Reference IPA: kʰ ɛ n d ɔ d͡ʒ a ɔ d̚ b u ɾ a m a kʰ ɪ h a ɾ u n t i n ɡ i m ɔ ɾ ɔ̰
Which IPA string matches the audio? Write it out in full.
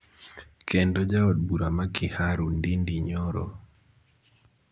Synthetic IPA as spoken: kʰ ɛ n d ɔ d͡ʒ a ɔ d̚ b u ɾ a m a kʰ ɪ h a ɾ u n d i n d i ɲ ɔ ɾ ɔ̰

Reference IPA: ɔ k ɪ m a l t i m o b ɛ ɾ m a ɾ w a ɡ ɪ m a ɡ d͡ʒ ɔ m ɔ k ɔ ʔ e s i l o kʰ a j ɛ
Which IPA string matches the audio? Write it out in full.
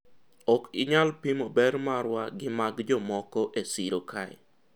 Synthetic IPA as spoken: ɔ k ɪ ɲ a l p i m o b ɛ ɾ m a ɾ w a ɡ ɪ m a ɡ d͡ʒ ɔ m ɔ k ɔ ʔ e s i ɾ o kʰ a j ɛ

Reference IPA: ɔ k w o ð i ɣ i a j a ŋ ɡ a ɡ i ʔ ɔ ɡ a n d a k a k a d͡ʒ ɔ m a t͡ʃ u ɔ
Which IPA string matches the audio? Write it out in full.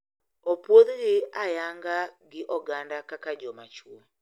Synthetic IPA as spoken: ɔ p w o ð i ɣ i a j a ŋ ɡ a ɡ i ʔ ɔ ɡ a n d a k a k a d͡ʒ ɔ m a t͡ʃ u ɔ

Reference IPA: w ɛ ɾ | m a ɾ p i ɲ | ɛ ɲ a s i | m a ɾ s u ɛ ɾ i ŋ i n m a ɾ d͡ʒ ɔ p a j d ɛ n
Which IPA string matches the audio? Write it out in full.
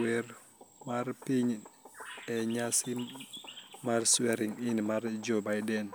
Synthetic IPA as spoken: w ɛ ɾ | m a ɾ p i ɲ | ɛ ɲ a s i | m a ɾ s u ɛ ɾ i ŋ i n m a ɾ d͡ʒ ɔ b a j d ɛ n

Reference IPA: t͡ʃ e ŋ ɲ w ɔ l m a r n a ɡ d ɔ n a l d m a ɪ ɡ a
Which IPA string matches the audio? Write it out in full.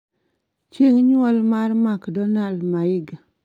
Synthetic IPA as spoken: t͡ʃ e ŋ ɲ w ɔ l m a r m a k d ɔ n a l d m a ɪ ɡ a

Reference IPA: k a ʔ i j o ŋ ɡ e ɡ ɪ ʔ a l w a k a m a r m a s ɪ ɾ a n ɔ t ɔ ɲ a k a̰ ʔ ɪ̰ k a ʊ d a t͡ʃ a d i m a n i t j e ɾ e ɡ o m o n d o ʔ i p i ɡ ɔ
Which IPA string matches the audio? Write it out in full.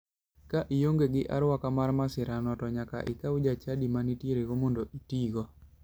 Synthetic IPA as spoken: k a ʔ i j o ŋ ɡ e ɡ ɪ ʔ a ɾ w a k a m a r m a s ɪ ɾ a n ɔ t ɔ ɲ a k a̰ ʔ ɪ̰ k a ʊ d͡ʒ a t͡ʃ a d i m a n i t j e ɾ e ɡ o m o n d o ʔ i t i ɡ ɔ

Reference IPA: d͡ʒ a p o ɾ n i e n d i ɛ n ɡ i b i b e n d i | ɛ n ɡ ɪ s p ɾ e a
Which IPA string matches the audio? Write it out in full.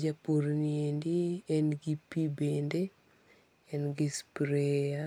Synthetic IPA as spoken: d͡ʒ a p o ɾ n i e n d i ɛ n ɡ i p i b e n d e | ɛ n ɡ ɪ s p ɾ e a

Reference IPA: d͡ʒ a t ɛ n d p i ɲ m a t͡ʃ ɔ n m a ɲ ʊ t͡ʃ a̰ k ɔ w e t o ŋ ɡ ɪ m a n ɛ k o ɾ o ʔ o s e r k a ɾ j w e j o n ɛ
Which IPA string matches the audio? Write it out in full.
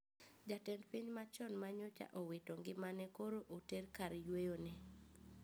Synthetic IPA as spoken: d͡ʒ a t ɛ n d p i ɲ m a t͡ʃ ɔ n m a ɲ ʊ t͡ʃ a̰ ʔ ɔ w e t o ŋ ɡ ɪ m a n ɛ k o ɾ o ʔ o t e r k a ɾ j w e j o n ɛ

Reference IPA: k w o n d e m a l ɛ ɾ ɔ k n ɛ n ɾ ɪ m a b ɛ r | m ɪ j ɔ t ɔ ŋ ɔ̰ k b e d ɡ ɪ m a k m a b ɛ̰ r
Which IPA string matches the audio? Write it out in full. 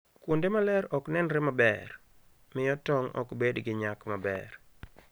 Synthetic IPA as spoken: k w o n d e m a l ɛ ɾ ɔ k n ɛ n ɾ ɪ m a b ɛ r | m ɪ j ɔ t ɔ ŋ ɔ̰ k b e d ɡ ɪ ɲ a k m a b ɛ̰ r

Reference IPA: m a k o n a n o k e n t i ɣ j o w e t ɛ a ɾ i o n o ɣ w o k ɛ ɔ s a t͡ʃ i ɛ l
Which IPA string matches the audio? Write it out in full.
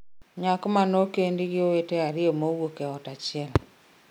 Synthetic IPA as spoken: ɲ a k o m a n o k e n d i ɣ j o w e t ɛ a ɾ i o m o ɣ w o k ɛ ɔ t a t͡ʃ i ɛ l

